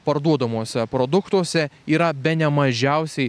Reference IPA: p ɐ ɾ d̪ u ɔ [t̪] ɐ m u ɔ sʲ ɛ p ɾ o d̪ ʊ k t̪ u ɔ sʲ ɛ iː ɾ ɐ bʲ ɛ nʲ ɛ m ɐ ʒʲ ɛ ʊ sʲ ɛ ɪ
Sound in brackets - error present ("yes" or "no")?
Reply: yes